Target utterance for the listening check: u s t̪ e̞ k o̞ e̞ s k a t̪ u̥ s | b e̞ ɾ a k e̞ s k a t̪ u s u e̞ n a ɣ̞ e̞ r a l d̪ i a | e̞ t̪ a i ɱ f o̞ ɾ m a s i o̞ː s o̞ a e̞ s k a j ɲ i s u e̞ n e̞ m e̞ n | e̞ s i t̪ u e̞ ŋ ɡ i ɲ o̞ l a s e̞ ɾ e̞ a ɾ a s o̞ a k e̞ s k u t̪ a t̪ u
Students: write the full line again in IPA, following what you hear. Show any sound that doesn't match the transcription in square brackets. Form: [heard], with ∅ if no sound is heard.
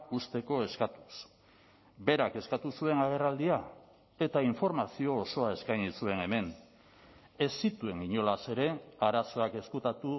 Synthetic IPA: u s t̪ e̞ k o̞ e̞ s k a t̪ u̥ s | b e̞ ɾ a k e̞ s k a t̪ u s u e̞ n a ɣ̞ e̞ r a l d̪ i a | e̞ t̪ a i ɱ f o̞ ɾ m a s i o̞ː s o̞ a e̞ s k a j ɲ i s u e̞ n e̞ m e̞ n | e̞ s i t̪ u e̞ ŋ ɡ i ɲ o̞ l a s e̞ ɾ e̞ a ɾ a s o̞ a k e̞ s k u t̪ a t̪ u